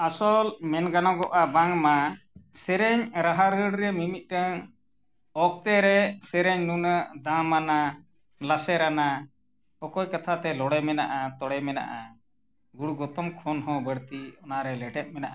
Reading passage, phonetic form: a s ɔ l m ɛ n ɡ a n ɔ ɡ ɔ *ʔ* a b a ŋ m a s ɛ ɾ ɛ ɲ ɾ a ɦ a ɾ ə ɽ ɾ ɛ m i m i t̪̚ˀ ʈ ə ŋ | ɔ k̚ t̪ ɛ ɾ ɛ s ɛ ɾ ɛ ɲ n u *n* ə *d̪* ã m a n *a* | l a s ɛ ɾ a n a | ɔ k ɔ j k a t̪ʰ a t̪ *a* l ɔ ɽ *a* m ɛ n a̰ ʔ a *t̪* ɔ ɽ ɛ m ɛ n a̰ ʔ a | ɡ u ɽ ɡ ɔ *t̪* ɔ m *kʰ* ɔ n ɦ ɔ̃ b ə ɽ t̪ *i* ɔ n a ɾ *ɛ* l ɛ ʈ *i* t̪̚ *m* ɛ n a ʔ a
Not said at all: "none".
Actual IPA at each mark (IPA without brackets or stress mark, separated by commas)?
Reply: ʔ, n, d̪, a, ɛ, ɛ, t̪, t̪, kʰ, i, ɛ, ɛ, m